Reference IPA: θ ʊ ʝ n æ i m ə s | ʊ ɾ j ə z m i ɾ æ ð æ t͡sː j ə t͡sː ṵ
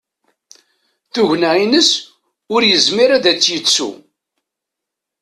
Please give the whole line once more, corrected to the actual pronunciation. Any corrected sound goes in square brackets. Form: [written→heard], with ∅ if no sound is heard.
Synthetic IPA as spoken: θ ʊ ʝ n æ i [m→n] ə s | ʊ ɾ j ə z m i ɾ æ ð æ t͡sː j ə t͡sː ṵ